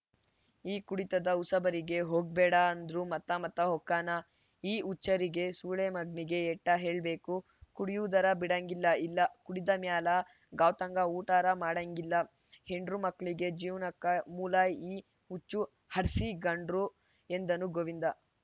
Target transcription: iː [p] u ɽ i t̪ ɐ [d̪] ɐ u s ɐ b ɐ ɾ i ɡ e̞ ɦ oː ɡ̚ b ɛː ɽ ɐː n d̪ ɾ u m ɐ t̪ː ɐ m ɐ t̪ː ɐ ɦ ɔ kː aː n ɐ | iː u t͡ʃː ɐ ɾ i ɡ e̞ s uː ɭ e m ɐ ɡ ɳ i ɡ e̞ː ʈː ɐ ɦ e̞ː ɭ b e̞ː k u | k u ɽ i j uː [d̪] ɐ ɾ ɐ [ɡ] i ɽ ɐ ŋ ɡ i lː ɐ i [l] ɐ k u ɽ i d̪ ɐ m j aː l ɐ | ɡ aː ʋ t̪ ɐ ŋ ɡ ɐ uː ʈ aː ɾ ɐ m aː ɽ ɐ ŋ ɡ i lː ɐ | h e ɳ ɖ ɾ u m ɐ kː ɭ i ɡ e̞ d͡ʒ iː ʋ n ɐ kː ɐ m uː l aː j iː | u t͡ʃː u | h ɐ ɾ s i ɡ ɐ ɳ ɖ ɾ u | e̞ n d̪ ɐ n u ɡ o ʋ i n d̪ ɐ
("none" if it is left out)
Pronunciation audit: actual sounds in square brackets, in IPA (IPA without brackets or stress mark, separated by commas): k, d̪, d̪, b, lː